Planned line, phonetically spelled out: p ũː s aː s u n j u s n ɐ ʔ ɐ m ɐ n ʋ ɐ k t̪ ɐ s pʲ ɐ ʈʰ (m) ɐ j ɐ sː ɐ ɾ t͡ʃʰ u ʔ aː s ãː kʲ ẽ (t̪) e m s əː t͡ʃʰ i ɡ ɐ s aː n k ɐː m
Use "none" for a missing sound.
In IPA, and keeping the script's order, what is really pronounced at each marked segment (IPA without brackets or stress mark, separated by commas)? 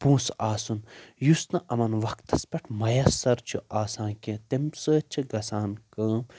m, t̪